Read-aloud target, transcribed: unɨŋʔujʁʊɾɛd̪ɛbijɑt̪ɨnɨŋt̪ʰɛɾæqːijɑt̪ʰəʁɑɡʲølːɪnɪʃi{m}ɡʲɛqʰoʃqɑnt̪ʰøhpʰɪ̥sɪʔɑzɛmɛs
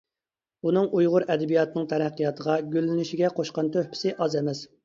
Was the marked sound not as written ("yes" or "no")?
yes